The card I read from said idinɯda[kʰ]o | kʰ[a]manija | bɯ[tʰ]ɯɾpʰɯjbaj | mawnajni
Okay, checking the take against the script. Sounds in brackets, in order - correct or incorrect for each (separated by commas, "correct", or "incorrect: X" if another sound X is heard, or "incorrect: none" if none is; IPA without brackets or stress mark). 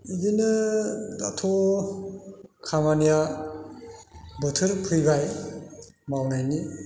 incorrect: tʰ, correct, correct